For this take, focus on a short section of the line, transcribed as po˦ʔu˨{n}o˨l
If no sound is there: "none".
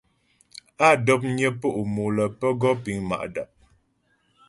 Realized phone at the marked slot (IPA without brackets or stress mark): m